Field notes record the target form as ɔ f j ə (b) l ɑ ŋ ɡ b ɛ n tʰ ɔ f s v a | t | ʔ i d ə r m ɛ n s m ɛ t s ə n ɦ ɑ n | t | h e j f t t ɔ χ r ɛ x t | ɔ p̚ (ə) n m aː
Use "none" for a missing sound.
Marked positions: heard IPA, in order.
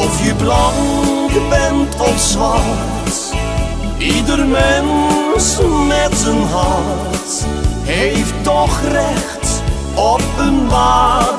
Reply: b, ə

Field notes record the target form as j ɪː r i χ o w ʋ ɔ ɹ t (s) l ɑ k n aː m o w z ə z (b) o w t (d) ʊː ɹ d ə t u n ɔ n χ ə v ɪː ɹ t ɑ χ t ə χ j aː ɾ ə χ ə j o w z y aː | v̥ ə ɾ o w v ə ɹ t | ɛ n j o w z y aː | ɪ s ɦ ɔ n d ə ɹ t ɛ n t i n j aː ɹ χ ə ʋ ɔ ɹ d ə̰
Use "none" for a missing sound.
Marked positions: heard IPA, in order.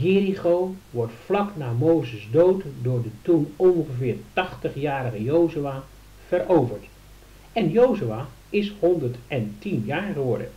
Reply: f, d, d

